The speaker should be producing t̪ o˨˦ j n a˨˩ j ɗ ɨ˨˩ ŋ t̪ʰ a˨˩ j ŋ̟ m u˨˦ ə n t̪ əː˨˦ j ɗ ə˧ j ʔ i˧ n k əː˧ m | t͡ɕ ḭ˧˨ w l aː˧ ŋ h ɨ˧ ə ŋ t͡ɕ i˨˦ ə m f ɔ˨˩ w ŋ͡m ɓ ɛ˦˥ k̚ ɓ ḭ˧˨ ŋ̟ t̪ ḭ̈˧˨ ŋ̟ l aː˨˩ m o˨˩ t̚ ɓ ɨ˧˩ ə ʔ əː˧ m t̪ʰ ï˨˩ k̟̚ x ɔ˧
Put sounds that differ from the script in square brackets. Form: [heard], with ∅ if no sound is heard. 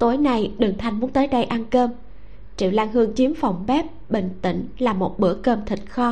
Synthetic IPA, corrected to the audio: t̪ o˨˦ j n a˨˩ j ɗ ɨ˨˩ ŋ t̪ʰ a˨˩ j ŋ̟ m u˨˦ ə n t̪ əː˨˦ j ɗ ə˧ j ʔ [a˧] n k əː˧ m | t͡ɕ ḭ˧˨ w l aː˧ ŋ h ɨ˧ ə ŋ t͡ɕ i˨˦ ə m f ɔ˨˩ w ŋ͡m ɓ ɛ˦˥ [p̚] ɓ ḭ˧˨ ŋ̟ t̪ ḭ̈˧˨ ŋ̟ l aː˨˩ m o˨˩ t̚ ɓ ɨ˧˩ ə [k] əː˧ m t̪ʰ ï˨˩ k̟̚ x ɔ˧